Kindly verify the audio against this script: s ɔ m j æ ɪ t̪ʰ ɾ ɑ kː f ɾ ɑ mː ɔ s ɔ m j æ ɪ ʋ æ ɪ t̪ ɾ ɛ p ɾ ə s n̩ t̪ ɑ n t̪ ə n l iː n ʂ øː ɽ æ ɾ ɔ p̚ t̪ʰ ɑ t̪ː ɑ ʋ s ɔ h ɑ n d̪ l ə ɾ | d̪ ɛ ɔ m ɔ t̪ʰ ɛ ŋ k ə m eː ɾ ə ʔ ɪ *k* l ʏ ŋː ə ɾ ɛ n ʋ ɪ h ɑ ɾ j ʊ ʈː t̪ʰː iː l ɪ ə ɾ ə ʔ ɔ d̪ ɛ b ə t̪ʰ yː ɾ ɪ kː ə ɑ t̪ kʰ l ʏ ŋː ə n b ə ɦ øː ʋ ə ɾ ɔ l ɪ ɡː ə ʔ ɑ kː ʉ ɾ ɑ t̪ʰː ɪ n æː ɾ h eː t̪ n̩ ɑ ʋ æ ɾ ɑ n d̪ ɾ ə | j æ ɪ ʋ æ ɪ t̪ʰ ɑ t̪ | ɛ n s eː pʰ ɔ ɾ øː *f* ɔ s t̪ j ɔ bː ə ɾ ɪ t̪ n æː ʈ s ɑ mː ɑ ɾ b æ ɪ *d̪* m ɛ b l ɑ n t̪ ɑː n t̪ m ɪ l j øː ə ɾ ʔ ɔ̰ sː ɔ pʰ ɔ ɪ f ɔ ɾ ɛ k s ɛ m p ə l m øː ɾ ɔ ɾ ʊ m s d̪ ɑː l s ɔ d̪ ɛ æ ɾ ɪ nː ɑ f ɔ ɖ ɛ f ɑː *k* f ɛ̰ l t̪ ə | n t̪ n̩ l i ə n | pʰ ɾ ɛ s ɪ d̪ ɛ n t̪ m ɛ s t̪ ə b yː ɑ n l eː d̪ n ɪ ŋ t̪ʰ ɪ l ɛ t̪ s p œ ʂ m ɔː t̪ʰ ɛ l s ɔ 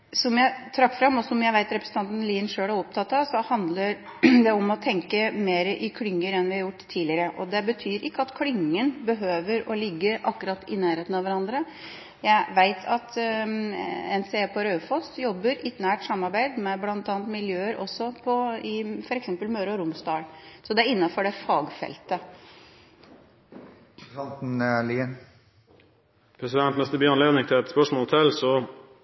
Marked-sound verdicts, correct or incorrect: incorrect, correct, correct, incorrect

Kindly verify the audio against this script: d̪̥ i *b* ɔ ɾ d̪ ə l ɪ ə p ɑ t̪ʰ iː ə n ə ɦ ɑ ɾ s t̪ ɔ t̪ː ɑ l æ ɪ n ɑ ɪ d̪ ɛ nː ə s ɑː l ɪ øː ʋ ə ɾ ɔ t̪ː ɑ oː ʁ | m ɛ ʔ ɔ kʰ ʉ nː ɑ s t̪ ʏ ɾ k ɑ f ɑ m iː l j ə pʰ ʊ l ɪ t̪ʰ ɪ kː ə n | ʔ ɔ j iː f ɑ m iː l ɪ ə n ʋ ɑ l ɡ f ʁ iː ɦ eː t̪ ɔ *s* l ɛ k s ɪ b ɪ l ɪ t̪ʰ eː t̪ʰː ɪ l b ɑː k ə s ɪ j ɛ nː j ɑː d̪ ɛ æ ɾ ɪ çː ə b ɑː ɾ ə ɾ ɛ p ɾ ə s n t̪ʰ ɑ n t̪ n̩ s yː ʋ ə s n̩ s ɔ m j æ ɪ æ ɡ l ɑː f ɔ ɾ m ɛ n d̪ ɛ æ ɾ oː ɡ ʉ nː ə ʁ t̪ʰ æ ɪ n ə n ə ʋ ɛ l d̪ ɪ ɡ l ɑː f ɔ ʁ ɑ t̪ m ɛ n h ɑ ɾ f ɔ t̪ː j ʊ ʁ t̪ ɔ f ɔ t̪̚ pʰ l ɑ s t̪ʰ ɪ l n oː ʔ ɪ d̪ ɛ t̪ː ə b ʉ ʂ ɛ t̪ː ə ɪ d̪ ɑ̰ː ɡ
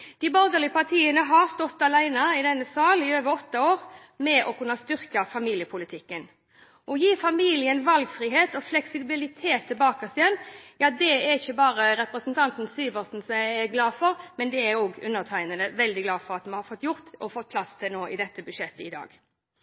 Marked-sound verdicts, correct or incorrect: correct, incorrect

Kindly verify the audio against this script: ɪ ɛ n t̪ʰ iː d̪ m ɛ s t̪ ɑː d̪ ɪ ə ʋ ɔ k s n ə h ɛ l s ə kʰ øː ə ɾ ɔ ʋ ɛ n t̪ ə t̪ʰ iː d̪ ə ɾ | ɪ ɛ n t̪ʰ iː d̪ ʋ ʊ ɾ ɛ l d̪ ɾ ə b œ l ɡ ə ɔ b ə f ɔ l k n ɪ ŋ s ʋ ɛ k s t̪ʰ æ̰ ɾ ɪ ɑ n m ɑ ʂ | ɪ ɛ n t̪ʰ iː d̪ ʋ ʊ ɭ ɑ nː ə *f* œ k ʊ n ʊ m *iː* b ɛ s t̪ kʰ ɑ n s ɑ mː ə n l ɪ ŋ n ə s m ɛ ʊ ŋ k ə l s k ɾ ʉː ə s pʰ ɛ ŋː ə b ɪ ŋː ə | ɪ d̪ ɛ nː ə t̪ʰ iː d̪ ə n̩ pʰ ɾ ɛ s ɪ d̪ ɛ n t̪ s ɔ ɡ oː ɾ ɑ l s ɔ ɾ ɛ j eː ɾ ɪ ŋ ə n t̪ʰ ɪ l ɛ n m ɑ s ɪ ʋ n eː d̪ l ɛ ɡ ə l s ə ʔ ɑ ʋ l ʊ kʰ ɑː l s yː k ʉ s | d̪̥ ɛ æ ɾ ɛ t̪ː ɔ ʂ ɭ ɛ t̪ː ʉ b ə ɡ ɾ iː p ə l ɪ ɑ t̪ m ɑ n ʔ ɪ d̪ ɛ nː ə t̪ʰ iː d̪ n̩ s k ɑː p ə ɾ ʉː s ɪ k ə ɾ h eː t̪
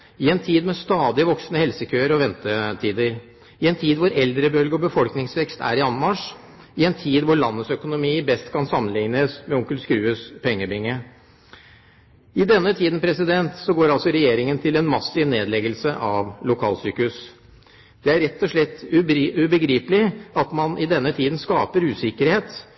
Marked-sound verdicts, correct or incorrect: incorrect, correct

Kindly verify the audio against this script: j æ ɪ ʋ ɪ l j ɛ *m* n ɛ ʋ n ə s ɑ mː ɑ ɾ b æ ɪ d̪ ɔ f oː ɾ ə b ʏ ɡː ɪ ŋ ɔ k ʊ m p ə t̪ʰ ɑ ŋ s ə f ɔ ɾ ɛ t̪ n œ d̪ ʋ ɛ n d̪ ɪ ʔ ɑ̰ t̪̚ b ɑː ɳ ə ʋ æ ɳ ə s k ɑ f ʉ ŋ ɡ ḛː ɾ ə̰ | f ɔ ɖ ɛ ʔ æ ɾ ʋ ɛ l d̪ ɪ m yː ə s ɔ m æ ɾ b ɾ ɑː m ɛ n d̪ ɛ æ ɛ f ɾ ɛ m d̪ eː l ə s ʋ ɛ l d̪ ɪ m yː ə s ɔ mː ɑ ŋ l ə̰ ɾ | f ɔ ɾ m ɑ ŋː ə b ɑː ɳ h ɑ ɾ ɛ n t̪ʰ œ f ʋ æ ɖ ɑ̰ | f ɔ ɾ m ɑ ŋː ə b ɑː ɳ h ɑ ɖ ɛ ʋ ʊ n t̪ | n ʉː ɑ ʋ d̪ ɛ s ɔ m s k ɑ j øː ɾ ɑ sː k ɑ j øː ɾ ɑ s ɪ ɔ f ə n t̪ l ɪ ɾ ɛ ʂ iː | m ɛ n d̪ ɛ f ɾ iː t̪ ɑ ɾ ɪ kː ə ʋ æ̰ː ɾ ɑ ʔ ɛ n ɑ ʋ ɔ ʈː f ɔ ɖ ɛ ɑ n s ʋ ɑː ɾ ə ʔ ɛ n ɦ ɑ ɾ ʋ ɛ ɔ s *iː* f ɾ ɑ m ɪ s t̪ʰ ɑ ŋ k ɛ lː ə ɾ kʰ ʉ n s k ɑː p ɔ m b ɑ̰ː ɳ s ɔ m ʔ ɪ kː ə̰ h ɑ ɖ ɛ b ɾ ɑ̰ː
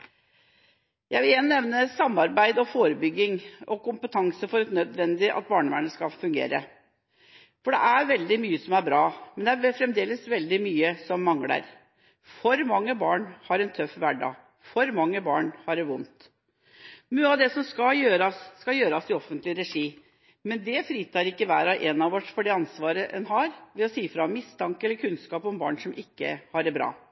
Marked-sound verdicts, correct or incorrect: incorrect, correct

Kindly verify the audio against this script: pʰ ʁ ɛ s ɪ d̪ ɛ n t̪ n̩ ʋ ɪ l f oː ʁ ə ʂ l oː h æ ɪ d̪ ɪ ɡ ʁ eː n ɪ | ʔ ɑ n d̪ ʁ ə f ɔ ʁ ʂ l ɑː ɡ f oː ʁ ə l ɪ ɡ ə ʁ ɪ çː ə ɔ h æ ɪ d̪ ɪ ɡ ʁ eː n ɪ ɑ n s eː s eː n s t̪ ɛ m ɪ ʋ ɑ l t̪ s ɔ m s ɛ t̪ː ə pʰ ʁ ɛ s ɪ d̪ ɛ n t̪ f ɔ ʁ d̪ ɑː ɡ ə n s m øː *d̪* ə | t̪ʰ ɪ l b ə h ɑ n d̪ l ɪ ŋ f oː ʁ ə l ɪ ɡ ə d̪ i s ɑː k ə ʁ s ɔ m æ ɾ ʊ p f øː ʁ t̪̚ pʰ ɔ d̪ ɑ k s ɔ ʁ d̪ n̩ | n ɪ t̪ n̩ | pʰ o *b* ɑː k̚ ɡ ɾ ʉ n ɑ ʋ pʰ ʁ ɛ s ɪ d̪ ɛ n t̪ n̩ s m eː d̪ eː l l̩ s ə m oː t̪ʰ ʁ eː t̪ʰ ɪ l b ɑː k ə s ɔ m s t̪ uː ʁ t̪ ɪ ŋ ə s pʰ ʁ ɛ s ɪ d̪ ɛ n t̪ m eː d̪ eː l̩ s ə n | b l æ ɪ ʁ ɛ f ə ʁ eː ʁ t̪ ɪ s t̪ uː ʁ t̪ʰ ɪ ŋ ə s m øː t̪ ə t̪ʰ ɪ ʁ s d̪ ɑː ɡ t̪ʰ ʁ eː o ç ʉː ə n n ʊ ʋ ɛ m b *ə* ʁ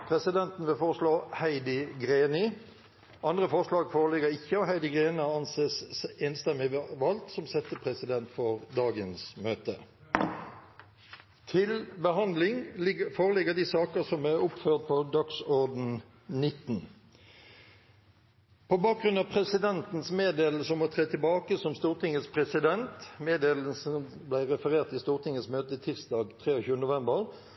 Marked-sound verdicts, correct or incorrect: incorrect, correct, correct

